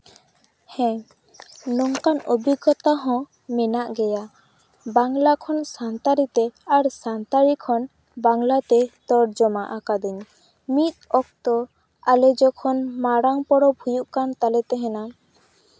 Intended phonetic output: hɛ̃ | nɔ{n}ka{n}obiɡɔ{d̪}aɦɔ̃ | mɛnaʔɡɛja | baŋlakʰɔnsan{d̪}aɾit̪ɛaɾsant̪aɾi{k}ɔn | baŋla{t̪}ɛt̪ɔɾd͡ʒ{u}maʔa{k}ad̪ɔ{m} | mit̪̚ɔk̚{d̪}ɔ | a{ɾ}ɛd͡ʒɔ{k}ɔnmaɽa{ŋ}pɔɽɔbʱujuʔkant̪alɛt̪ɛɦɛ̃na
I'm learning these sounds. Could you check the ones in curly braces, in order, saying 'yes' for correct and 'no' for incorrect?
no, yes, no, no, no, yes, no, yes, no, no, no, no, yes

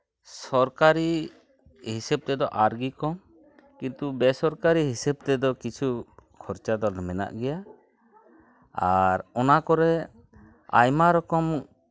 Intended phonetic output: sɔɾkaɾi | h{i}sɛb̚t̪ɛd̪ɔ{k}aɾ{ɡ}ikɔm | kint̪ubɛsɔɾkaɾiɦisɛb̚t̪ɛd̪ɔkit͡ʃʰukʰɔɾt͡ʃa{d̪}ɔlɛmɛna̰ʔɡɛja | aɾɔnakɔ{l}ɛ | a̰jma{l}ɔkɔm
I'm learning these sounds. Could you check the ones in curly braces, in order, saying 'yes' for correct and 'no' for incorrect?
yes, no, yes, yes, no, no

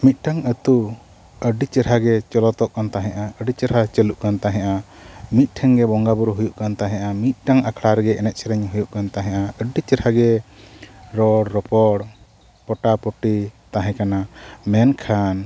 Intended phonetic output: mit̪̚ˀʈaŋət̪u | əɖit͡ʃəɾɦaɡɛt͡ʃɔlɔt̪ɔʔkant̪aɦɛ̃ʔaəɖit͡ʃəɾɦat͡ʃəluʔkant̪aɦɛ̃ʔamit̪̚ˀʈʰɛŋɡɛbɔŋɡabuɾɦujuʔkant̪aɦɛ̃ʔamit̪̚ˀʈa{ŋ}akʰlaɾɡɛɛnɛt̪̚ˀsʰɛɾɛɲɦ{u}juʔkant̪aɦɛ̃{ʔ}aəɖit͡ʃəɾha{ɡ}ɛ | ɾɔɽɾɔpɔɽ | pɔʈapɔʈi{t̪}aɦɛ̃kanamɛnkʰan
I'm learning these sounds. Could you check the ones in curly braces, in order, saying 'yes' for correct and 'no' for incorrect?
yes, yes, yes, yes, yes

